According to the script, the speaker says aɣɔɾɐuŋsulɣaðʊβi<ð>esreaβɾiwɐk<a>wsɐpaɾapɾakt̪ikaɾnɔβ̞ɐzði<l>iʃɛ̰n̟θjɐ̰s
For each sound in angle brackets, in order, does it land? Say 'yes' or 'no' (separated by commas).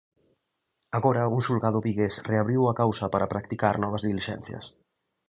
no, yes, yes